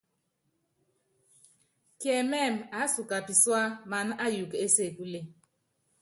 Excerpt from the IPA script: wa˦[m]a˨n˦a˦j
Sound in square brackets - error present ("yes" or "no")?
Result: no